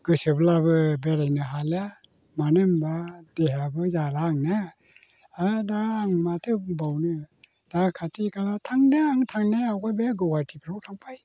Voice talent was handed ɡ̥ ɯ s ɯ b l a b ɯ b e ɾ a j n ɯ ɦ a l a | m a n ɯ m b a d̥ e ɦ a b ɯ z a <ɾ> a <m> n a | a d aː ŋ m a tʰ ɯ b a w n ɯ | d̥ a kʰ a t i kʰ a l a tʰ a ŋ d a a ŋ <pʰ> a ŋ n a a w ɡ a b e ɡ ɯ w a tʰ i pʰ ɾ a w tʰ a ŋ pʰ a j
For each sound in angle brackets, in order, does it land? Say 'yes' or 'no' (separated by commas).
no, no, no